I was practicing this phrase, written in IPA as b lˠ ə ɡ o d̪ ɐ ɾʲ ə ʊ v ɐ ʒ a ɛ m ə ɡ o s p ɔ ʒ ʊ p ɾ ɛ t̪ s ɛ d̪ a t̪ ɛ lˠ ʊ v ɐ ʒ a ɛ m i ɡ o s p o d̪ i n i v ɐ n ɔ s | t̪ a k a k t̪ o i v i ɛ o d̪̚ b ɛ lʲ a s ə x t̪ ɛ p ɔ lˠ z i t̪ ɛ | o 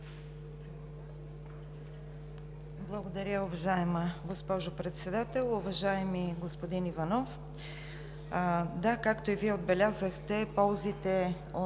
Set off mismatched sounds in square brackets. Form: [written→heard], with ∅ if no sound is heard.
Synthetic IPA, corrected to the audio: b lˠ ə ɡ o d̪ ɐ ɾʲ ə ʊ v ɐ ʒ a ɛ m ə ɡ o s p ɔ ʒ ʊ p ɾ ɛ t̪ s ɛ d̪ a t̪ ɛ lˠ ʊ v ɐ ʒ a ɛ m i ɡ o s p o d̪ i n i v ɐ n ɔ [s→f] | [t̪→d̪] a k a k t̪ o i v i ɛ o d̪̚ b ɛ lʲ a [s→z] ə x t̪ ɛ p ɔ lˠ z i t̪ ɛ | o